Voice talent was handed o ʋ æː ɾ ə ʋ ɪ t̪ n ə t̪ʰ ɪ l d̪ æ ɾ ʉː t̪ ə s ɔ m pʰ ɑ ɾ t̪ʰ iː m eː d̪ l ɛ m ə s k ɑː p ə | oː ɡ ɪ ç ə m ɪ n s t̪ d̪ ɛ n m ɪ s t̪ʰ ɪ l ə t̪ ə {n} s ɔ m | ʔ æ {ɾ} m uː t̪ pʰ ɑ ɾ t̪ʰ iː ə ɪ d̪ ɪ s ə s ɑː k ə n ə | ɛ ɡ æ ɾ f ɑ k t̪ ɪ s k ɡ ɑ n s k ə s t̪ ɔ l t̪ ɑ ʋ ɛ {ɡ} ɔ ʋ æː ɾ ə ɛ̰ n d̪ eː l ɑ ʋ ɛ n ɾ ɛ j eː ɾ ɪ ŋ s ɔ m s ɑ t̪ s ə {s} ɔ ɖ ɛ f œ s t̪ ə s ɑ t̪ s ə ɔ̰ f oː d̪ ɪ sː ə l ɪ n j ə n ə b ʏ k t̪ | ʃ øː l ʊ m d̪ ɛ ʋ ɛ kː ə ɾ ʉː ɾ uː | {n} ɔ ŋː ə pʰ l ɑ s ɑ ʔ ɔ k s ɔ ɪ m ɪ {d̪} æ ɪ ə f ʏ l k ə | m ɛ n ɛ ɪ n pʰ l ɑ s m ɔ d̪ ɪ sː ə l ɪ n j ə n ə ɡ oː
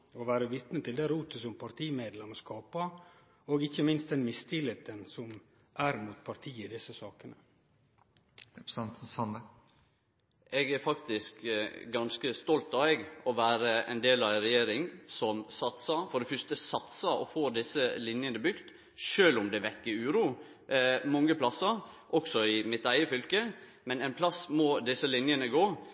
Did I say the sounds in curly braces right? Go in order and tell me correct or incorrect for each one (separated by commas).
correct, correct, correct, incorrect, incorrect, incorrect